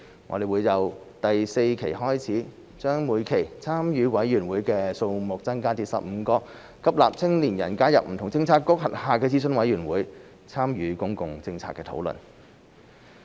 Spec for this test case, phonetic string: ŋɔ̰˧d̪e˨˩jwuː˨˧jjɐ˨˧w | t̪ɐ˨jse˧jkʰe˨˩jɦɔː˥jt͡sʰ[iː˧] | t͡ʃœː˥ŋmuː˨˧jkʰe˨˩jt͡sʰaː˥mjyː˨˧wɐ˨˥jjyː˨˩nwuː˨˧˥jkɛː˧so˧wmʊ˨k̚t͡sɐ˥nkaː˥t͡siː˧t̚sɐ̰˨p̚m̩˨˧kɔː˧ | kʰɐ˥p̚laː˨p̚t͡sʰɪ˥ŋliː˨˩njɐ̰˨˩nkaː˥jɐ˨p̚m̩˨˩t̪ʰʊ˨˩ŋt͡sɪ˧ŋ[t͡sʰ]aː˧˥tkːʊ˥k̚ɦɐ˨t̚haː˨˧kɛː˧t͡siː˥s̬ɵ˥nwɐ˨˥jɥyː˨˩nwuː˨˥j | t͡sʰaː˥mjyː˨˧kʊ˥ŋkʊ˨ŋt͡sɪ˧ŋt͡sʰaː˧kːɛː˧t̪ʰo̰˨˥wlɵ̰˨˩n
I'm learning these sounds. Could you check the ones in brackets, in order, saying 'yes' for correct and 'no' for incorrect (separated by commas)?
no, yes